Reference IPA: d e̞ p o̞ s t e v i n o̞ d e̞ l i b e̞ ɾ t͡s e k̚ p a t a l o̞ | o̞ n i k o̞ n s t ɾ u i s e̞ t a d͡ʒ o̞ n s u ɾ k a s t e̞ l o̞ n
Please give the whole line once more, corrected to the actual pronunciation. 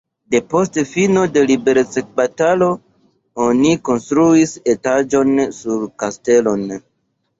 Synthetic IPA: d e̞ p o̞ s t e f i n o̞ d e̞ l i b e̞ ɾ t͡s e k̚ b a t a l o̞ | o̞ n i k o̞ n s t ɾ u i s e̞ t a d͡ʒ o̞ n s u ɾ k a s t e̞ l o̞ n